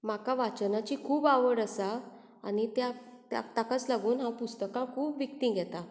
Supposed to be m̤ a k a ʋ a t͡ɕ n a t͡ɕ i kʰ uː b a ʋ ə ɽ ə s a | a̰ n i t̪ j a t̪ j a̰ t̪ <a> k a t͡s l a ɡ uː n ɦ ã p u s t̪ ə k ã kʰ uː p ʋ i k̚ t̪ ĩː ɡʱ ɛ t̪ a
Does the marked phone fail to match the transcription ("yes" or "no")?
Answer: no